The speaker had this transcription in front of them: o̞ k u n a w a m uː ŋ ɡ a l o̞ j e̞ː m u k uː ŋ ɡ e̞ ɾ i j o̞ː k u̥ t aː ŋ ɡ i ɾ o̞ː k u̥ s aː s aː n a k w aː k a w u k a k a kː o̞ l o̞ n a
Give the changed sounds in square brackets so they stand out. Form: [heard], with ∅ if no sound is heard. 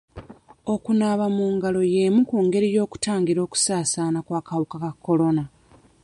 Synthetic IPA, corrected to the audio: o̞ k u n a [β] a m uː ŋ ɡ a l o̞ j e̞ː m u k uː ŋ ɡ e̞ ɾ i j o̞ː k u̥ t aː ŋ ɡ i ɾ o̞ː k u̥ s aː s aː n a k w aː k a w u k a k a kː o̞ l o̞ n a